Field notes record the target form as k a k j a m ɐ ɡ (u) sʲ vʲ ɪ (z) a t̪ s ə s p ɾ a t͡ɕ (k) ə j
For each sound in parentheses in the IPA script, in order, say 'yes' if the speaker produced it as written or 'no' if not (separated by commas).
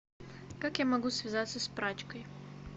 yes, yes, yes